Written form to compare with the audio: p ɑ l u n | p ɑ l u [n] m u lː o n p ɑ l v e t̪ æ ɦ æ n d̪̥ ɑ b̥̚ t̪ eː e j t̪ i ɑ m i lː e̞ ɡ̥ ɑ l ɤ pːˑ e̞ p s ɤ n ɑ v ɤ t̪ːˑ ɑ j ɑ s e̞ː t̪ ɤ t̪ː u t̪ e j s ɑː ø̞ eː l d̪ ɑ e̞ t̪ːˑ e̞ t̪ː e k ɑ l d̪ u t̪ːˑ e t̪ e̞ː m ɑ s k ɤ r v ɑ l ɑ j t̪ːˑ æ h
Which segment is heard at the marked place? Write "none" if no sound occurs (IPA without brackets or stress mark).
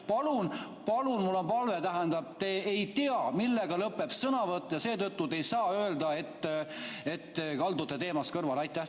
n